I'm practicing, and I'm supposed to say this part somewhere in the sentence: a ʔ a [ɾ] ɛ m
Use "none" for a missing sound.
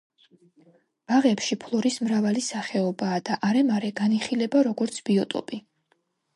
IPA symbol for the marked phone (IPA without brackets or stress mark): ɾ